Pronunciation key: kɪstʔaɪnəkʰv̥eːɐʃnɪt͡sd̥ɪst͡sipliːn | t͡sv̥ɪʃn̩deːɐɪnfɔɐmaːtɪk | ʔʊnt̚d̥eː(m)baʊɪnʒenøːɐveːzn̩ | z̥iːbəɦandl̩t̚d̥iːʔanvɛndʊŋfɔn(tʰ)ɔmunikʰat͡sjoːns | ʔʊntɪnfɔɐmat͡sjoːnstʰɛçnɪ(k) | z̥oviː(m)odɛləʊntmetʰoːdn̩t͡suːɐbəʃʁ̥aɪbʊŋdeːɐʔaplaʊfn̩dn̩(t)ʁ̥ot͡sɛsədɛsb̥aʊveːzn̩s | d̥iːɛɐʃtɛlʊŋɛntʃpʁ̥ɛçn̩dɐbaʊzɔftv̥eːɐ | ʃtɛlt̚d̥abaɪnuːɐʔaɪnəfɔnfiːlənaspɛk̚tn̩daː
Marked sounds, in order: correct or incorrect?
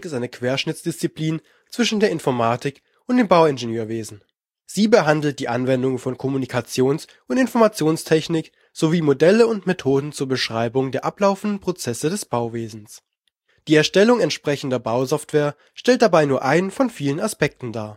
correct, incorrect: kʰ, correct, correct, incorrect: p

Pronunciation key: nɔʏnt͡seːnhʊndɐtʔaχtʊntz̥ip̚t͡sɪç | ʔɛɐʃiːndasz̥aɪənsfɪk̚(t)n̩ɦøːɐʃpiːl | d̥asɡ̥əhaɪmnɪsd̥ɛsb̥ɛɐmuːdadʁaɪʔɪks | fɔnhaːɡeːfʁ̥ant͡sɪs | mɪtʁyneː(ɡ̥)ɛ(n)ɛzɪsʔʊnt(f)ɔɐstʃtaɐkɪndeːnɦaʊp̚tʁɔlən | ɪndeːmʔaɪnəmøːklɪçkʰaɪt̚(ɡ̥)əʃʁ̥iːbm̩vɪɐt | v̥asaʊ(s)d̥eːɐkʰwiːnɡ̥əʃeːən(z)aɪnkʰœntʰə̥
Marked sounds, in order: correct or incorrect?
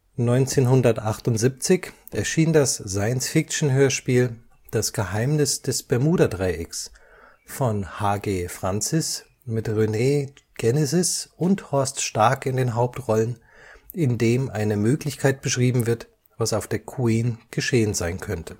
incorrect: t͡ʃ, correct, correct, incorrect: h, incorrect: b̥, incorrect: f, correct

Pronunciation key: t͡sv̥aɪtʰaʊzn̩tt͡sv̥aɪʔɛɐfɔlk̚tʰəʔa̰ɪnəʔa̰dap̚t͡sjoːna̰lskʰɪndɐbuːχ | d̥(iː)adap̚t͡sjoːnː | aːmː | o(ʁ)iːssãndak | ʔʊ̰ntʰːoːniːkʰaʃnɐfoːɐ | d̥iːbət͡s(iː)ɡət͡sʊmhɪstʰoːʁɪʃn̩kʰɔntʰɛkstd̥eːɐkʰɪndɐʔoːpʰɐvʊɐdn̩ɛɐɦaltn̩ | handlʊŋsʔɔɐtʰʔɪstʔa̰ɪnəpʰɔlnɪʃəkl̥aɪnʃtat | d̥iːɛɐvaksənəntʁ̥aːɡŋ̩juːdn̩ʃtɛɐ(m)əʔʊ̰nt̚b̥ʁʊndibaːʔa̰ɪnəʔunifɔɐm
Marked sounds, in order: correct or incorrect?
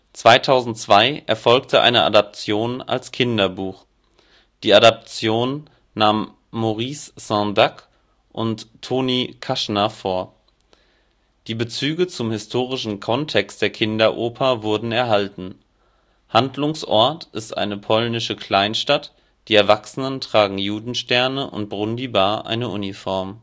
correct, correct, incorrect: yː, incorrect: n

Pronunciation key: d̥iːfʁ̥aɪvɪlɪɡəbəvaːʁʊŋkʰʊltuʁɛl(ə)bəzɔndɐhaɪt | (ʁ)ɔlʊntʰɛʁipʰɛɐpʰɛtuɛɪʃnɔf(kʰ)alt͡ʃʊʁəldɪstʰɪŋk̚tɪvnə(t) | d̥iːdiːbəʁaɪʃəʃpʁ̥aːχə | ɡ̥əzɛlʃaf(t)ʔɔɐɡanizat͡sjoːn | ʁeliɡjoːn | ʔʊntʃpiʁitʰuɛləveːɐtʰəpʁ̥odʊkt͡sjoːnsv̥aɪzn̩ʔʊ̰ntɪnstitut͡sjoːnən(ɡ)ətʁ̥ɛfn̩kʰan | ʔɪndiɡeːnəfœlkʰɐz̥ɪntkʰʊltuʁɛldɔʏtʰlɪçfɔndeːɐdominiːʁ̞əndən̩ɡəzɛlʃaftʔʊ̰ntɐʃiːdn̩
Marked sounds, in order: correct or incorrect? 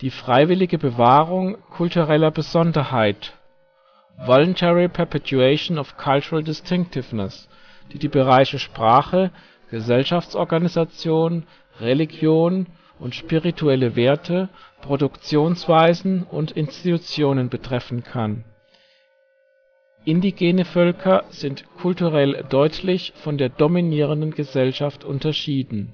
incorrect: ɐ, incorrect: v, correct, incorrect: s, incorrect: t͡s, incorrect: b

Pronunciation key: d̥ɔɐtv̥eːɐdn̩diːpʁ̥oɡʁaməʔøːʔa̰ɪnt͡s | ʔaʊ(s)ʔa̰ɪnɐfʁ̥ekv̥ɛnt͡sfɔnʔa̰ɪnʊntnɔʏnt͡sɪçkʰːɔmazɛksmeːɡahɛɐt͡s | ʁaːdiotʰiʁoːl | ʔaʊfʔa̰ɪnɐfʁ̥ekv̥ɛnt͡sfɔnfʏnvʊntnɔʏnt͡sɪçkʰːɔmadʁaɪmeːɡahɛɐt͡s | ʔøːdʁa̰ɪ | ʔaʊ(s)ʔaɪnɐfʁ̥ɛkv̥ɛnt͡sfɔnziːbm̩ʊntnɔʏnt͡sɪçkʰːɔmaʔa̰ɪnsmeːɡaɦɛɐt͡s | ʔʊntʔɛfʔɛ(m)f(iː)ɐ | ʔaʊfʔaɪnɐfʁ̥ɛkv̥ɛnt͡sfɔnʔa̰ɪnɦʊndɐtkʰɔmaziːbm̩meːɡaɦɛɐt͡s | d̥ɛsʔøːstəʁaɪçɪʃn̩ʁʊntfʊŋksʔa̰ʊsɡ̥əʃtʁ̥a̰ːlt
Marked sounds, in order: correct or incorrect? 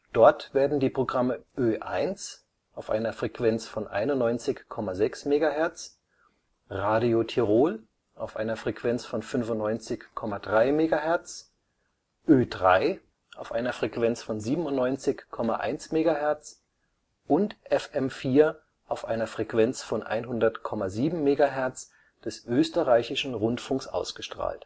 incorrect: f, incorrect: f, correct, correct

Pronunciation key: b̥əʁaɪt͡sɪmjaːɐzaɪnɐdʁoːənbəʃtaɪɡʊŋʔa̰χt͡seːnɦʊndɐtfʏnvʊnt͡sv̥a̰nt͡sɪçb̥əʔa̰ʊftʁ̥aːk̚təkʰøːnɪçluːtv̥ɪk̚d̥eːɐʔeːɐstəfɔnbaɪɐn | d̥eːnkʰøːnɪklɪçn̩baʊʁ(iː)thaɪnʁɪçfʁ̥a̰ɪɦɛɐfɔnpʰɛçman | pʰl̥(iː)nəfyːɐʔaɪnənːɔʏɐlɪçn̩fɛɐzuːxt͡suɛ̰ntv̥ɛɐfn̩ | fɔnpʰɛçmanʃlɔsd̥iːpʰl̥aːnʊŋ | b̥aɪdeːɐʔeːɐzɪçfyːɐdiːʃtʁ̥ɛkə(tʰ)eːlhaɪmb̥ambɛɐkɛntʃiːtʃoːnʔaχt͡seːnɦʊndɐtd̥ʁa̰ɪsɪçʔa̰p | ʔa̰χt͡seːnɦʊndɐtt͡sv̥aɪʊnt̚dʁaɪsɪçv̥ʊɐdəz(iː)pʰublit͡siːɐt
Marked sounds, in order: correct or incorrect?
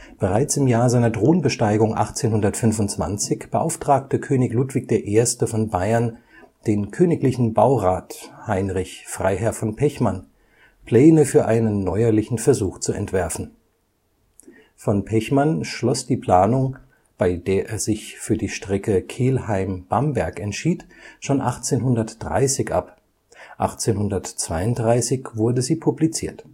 incorrect: aː, incorrect: ɛː, incorrect: kʰ, correct

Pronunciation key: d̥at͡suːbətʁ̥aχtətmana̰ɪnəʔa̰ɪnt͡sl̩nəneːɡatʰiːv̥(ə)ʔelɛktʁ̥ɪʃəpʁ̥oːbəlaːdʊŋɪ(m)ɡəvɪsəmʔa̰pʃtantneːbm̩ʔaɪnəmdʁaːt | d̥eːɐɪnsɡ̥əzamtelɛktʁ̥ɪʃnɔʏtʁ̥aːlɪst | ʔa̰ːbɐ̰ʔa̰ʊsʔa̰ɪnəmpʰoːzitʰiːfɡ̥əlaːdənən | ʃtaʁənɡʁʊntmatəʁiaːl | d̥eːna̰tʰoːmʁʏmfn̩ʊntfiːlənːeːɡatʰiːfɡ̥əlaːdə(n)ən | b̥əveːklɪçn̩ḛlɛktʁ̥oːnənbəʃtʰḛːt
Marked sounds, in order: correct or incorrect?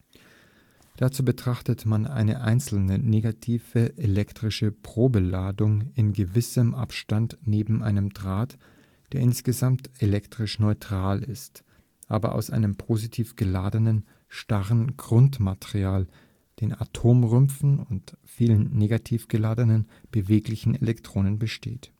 correct, incorrect: n, correct

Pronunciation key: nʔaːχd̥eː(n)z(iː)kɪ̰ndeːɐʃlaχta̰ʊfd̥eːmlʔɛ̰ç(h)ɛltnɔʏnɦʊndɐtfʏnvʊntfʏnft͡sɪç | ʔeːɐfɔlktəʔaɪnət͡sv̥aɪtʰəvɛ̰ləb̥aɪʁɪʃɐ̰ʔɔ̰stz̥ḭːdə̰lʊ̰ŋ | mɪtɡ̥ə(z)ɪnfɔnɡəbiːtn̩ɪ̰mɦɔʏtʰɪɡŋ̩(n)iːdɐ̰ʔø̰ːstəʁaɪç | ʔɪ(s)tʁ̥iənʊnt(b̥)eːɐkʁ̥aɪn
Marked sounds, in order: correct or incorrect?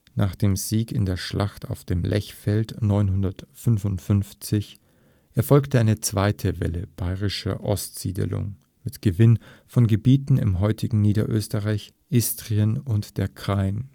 incorrect: m, correct, incorrect: f, incorrect: v, correct, correct, incorrect: d̥

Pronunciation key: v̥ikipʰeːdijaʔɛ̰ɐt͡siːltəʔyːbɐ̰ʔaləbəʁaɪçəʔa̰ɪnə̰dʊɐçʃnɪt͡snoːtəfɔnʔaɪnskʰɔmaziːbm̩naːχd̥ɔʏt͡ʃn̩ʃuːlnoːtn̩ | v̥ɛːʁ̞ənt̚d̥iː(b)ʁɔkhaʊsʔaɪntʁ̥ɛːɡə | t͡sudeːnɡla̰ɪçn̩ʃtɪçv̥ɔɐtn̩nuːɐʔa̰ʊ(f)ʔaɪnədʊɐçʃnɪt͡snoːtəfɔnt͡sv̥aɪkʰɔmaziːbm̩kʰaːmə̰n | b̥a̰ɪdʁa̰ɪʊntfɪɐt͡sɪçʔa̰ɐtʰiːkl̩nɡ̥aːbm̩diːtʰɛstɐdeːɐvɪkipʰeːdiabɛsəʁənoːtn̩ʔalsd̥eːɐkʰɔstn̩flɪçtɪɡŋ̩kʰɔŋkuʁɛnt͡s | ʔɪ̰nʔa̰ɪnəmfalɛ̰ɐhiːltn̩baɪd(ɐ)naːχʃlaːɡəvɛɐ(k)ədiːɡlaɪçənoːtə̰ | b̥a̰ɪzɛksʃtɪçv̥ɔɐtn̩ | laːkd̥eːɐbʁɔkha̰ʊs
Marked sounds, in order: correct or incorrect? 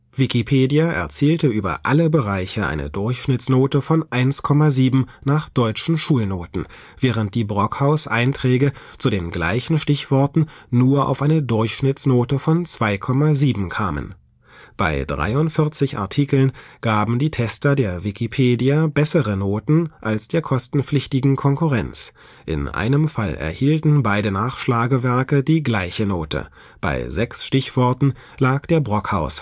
correct, correct, incorrect: ə, correct

